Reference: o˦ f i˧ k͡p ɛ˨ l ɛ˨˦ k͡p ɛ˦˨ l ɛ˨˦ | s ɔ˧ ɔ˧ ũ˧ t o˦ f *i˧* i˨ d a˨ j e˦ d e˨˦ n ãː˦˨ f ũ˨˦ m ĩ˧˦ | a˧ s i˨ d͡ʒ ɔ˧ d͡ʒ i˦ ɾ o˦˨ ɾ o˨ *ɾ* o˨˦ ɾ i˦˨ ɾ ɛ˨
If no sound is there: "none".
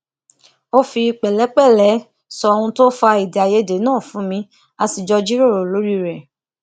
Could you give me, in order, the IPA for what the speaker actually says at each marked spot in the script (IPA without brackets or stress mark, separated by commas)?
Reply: a˧, l